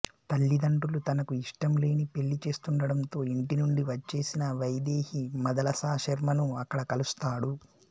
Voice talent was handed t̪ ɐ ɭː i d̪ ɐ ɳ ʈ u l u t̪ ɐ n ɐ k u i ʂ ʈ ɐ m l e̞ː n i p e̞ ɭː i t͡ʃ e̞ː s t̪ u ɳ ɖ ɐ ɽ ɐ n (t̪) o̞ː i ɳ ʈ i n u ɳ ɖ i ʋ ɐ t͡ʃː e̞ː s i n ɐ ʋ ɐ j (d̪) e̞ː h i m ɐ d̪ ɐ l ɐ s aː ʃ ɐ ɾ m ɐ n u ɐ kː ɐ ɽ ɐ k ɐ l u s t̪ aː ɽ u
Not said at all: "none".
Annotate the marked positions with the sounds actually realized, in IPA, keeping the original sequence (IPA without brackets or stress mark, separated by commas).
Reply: t̪, d̪